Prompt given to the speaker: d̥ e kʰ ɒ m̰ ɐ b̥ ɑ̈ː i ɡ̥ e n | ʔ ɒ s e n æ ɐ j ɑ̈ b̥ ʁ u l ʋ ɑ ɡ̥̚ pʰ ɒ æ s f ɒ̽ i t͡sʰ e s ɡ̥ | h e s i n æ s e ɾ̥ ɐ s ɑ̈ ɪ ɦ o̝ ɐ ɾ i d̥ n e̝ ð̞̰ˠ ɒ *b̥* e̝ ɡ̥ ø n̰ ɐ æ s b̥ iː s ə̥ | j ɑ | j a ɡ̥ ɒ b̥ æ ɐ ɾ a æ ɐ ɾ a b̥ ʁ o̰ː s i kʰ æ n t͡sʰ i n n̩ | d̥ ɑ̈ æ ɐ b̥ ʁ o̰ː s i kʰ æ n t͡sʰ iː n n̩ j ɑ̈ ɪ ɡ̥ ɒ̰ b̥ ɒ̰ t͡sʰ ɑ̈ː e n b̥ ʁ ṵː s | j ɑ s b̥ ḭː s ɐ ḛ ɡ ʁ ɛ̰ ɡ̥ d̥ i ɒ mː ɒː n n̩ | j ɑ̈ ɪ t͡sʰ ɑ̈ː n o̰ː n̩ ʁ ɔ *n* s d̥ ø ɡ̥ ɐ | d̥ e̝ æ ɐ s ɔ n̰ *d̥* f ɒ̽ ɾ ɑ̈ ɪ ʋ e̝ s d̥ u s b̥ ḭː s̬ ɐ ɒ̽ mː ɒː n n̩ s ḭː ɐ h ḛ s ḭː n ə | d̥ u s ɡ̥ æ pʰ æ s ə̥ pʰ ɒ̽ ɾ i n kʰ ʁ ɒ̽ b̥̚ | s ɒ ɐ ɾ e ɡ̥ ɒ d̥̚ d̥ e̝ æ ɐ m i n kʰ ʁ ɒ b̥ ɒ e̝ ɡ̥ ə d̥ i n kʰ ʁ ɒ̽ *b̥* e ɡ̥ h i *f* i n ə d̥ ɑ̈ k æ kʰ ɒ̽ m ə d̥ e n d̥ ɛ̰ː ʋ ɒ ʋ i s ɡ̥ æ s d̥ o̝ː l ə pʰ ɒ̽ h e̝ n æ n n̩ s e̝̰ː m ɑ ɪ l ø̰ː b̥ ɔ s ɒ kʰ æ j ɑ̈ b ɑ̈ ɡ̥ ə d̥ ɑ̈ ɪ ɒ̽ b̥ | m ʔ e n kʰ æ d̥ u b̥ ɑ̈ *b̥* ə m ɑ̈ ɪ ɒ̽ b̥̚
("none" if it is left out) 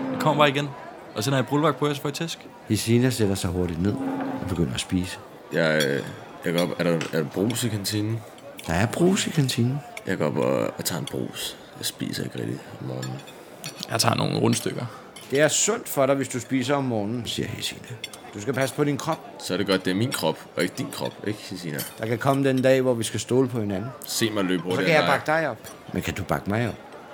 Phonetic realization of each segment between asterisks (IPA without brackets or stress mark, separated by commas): b̥, n, d̥, b̥, s, ɡ̥